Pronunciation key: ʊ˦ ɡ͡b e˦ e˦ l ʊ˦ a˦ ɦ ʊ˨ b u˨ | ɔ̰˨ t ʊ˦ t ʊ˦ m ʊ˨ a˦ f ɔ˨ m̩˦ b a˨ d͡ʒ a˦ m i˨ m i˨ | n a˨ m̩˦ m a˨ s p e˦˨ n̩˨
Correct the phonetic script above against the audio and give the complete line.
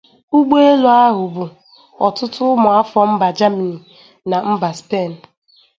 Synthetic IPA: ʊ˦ ɡ͡b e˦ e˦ l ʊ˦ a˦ ɦ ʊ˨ b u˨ | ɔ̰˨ t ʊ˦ t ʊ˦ m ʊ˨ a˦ f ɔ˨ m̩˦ b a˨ d͡ʒ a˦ m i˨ n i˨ | n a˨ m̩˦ b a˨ s p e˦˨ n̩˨

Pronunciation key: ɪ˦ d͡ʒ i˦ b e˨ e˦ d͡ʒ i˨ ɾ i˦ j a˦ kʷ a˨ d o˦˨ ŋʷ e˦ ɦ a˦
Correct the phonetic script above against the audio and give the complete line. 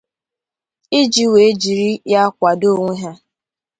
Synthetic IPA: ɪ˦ d͡ʒ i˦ w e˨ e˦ d͡ʒ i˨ ɾ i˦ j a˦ kʷ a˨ d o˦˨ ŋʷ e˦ ɦ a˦

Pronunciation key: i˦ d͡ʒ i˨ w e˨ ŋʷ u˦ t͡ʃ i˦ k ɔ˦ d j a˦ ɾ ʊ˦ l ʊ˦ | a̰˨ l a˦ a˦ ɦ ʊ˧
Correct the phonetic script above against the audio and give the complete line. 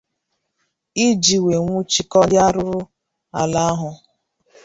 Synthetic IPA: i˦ d͡ʒ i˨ w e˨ ŋʷ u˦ t͡ʃ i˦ k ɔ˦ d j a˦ ɾ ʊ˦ ɾ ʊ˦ | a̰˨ l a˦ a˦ ɦ ʊ˧

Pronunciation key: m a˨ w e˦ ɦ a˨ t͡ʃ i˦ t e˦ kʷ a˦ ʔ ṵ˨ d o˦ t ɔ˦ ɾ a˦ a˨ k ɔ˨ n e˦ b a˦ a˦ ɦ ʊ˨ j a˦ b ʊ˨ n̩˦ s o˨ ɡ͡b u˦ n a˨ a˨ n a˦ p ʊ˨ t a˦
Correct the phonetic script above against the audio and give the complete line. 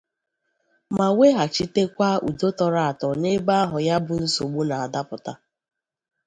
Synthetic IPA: m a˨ w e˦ ɦ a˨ t͡ʃ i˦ t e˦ kʷ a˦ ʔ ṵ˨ d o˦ t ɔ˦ ɾ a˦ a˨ t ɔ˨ n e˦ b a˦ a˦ ɦ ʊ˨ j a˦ b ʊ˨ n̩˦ s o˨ ɡ͡b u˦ n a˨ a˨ d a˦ p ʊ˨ t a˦

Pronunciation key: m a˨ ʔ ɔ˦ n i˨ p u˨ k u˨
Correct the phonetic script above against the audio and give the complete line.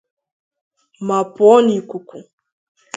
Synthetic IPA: m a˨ p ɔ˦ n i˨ k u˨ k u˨

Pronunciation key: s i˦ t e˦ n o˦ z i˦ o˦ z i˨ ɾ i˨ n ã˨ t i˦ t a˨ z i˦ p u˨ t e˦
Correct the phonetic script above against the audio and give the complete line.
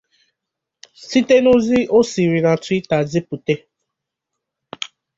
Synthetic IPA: s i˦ t e˦ n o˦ z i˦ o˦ s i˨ ɾ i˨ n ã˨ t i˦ t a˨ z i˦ p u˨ t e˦

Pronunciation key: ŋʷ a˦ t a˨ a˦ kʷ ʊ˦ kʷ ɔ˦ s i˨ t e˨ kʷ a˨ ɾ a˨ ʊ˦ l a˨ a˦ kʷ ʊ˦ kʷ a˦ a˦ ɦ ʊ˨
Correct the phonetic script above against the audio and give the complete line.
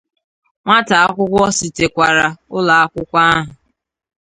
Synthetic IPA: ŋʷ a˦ t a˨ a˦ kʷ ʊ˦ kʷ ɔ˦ s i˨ t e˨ kʷ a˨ ɾ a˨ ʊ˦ l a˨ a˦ kʷ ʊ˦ kʷ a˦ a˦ ɦ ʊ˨

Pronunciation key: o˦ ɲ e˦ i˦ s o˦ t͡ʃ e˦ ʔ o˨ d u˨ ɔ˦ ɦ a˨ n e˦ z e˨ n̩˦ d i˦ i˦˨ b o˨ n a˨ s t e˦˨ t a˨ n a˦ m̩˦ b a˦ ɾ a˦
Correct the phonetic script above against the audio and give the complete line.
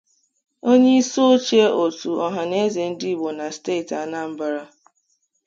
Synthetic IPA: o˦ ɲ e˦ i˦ s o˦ t͡ʃ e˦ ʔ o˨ t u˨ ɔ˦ ɦ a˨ n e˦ z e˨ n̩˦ d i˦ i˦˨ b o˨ n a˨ s t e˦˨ t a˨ n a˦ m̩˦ b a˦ ɾ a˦

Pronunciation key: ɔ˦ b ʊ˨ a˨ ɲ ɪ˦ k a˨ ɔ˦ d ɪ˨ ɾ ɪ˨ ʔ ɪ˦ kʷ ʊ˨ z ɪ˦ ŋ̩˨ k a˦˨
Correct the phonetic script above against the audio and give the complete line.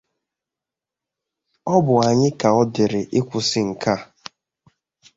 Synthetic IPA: ɔ˦ b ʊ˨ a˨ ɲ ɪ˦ k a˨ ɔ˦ d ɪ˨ ɾ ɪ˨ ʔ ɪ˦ kʷ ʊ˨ s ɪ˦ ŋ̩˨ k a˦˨

